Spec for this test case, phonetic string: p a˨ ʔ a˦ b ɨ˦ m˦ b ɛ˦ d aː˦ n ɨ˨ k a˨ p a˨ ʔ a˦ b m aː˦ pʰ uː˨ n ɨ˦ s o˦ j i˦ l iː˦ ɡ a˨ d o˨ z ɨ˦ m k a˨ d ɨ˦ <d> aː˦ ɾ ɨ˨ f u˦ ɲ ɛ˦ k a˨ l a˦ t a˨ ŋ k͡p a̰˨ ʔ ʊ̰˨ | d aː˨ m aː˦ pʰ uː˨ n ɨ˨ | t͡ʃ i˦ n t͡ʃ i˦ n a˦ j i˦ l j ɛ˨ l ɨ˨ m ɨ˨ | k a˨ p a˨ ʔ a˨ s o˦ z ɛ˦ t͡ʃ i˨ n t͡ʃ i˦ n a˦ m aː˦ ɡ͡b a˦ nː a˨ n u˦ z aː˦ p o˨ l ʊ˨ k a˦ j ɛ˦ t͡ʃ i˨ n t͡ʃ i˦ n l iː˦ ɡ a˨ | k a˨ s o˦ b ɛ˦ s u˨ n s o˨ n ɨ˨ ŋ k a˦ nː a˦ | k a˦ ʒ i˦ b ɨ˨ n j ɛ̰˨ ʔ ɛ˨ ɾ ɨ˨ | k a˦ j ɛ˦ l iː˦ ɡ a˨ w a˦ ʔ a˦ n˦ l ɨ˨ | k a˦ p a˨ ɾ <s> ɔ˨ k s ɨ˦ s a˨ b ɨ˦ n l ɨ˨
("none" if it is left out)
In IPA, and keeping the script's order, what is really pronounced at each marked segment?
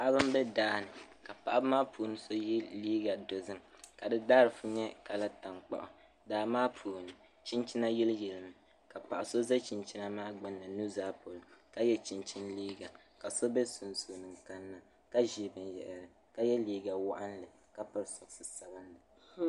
d, s

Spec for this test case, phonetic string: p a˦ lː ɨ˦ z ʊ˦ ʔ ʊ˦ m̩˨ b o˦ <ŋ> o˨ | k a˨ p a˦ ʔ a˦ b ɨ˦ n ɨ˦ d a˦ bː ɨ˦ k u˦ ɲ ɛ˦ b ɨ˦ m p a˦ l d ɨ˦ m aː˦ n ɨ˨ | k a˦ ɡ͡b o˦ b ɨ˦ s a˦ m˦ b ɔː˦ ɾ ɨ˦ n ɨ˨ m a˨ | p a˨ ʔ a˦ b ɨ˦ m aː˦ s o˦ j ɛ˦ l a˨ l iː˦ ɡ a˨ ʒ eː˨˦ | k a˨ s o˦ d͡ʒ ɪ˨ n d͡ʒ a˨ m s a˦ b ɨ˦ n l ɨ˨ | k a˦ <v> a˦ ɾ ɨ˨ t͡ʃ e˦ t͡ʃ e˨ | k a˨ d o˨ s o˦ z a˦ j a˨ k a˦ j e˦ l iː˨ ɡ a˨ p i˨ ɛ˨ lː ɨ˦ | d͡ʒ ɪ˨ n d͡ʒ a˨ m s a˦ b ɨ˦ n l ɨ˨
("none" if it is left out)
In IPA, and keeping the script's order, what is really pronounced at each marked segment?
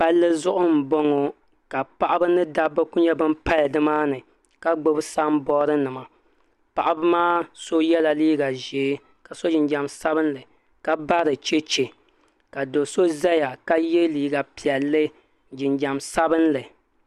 ŋ, b

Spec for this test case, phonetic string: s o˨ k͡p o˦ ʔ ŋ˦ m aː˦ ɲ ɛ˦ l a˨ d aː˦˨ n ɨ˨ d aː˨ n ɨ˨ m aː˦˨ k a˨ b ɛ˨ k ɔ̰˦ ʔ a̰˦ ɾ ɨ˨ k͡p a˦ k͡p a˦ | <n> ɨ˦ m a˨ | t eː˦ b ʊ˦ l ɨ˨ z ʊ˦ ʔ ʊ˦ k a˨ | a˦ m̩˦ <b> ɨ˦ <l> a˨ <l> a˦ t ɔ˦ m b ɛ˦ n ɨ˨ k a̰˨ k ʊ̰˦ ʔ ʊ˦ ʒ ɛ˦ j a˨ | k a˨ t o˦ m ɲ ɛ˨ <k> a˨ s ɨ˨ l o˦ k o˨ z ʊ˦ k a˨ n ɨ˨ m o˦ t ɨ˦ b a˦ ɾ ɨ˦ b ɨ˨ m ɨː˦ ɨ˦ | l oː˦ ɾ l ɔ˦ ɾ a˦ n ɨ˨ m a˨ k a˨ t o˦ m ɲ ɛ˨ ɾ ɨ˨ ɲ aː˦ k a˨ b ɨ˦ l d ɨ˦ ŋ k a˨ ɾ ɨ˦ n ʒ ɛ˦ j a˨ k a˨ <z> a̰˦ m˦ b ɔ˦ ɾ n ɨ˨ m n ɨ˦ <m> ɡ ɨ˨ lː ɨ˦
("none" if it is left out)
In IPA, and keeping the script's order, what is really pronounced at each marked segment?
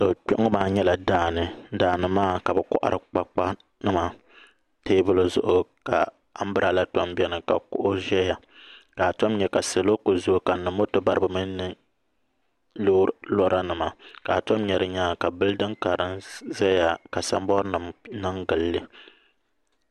n, b, ɾ, l, k, s, ŋ

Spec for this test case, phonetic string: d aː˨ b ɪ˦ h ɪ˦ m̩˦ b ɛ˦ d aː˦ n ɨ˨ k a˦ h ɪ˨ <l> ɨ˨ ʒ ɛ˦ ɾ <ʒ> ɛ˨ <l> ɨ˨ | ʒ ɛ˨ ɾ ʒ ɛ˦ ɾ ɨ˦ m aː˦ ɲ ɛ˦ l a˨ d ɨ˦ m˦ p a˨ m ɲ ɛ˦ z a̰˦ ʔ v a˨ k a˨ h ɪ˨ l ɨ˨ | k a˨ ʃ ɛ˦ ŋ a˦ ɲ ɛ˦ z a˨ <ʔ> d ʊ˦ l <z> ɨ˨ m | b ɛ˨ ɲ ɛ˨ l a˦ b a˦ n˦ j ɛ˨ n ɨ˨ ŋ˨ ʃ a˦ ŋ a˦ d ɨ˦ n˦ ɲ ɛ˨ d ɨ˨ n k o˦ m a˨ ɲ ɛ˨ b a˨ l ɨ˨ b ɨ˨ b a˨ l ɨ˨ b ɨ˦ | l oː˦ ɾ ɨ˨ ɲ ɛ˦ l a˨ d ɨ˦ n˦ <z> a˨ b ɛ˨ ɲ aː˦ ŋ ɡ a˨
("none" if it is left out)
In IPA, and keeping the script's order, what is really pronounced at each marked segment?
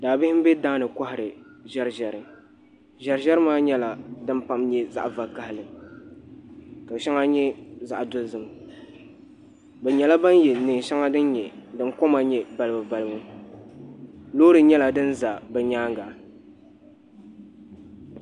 ɾ, ʒ, ɾ, ʔ, z, z

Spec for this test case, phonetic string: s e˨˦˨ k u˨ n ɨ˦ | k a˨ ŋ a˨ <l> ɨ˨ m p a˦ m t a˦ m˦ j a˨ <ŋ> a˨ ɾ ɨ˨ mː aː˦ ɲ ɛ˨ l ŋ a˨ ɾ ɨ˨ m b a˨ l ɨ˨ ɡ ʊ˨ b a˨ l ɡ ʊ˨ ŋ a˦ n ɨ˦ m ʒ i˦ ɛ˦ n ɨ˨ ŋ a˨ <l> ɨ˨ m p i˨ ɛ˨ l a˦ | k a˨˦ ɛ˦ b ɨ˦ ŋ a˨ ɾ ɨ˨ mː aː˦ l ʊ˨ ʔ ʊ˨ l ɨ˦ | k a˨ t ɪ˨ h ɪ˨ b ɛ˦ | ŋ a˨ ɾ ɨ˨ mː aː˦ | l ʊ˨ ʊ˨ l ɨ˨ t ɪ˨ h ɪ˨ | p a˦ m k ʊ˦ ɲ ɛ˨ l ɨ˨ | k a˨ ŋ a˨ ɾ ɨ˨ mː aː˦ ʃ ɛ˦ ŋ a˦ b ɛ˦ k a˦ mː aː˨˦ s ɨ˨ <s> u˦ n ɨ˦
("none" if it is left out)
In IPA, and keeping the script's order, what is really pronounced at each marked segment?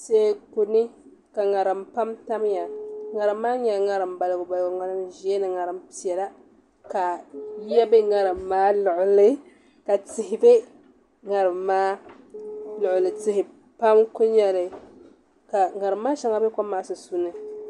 ɾ, ŋ, ɾ, s

